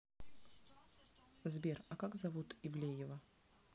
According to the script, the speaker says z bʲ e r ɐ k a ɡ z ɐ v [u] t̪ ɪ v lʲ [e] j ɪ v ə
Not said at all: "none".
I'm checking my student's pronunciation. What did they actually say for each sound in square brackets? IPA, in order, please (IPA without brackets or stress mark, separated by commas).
u, e